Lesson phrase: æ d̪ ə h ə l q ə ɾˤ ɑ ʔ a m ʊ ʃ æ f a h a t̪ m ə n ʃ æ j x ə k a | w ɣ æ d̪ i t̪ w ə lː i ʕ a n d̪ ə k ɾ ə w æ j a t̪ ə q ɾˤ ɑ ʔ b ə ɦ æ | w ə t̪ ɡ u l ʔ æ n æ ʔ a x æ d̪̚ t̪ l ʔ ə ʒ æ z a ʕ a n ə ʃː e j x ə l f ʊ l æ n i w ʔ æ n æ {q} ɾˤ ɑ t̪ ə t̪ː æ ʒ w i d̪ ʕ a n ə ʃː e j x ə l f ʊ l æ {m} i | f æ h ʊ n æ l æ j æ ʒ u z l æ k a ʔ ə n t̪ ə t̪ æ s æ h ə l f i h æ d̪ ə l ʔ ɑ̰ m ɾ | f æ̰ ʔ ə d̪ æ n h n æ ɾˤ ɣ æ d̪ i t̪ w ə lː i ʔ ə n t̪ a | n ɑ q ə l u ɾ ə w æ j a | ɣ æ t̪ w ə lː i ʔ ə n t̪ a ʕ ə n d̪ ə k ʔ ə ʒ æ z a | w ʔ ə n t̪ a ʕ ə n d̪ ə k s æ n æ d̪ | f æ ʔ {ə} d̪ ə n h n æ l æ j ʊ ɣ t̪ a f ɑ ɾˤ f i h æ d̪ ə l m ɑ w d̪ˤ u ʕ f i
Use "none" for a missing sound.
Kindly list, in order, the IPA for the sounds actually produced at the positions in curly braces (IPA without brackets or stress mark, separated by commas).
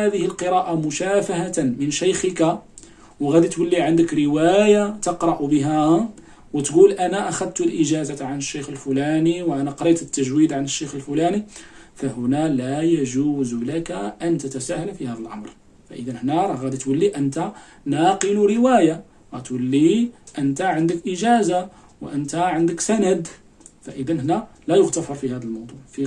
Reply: q, n, ə